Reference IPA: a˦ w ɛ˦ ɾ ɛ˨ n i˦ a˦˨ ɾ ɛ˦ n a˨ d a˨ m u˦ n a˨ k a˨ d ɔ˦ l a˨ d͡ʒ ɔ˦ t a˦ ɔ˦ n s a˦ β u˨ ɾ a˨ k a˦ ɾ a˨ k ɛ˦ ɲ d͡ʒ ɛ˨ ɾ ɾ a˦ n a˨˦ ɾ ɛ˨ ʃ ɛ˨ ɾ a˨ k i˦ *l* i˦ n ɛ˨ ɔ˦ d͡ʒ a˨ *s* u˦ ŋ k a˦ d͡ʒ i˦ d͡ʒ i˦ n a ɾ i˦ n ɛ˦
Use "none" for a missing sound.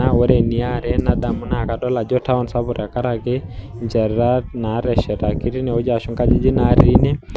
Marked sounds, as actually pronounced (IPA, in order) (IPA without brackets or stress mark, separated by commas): ɾ, ʃ